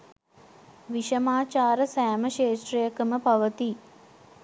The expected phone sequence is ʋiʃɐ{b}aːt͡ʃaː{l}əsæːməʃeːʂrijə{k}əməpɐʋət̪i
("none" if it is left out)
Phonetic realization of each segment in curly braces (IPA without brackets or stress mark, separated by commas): m, ɾ, k